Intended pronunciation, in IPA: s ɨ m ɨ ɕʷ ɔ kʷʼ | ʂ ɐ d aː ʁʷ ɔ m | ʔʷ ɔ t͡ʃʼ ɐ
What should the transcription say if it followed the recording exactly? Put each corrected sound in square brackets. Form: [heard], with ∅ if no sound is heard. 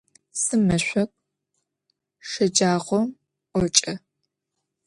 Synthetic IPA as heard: s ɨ m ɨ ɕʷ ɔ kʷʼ | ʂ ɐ [d͡ʒ] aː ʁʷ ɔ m | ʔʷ ɔ t͡ʃʼ ɐ